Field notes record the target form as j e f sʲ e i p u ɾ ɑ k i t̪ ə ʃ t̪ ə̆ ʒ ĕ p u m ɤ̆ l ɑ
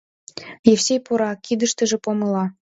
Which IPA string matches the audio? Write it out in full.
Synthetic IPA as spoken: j e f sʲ e j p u ɾ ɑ k i d̪ ə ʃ t̪ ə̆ ʒ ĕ p o m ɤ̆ l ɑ